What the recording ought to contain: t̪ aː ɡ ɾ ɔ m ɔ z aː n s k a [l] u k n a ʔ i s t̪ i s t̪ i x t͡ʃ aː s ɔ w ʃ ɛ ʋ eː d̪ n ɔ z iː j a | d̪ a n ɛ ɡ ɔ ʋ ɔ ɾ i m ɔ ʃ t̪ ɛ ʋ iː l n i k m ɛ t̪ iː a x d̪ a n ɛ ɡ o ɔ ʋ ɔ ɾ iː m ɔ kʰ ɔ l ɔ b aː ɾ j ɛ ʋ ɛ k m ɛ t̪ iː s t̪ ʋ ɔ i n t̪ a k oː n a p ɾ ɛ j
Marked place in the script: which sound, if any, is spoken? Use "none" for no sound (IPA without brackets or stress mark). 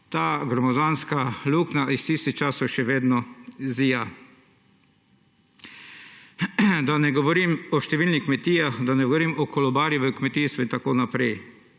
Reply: l